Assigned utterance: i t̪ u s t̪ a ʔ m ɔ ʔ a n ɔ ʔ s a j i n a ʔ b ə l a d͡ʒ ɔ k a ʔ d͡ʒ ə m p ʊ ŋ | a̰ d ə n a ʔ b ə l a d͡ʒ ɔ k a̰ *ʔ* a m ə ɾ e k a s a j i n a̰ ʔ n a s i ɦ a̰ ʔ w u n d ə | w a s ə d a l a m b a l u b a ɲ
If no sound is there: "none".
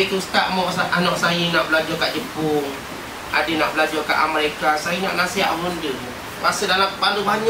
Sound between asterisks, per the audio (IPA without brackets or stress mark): ʔ